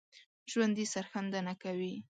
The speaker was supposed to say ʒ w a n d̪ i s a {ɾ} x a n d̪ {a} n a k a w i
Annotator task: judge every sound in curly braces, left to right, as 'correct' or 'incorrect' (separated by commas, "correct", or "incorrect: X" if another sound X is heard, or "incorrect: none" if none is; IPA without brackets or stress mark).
correct, correct